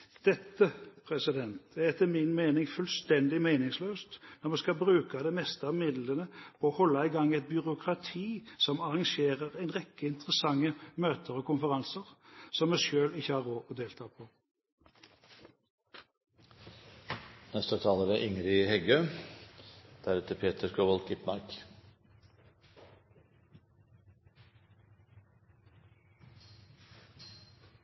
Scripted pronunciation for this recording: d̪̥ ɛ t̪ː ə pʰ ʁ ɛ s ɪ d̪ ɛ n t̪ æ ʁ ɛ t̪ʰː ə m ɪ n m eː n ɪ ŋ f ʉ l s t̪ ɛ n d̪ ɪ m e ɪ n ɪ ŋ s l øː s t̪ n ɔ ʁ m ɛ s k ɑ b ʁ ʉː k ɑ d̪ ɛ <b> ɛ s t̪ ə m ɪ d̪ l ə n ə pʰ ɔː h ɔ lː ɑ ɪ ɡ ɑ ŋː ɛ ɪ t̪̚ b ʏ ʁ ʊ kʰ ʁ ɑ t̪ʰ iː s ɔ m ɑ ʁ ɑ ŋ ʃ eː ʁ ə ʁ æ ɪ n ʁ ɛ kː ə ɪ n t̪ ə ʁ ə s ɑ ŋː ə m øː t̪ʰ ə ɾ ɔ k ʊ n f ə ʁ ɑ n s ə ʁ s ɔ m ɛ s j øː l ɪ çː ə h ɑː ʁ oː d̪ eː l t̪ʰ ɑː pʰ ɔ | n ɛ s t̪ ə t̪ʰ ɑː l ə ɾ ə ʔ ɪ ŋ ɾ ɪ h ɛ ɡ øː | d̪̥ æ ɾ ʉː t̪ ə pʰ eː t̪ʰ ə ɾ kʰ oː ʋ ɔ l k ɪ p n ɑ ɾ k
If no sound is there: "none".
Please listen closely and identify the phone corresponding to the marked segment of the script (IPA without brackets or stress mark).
m